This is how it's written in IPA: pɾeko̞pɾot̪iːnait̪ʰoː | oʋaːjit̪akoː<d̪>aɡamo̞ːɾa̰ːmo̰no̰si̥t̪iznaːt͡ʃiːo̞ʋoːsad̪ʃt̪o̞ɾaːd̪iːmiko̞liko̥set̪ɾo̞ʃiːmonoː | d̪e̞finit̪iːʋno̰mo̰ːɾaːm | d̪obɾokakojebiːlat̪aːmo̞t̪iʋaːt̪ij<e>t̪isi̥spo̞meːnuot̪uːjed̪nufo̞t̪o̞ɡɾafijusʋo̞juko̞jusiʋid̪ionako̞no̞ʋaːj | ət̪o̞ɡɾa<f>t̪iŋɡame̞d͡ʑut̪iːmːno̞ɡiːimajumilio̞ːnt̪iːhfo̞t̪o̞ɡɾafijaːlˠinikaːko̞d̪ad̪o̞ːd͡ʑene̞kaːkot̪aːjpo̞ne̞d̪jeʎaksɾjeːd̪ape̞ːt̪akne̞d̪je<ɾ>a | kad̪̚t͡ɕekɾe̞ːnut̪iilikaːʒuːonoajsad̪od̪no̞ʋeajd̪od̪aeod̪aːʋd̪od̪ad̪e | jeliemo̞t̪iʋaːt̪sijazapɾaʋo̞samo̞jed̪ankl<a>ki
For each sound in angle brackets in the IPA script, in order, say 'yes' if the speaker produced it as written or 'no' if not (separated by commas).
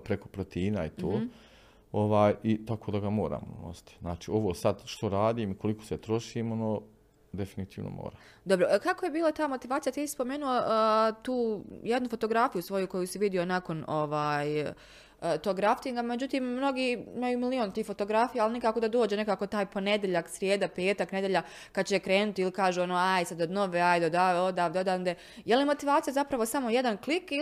yes, no, yes, no, no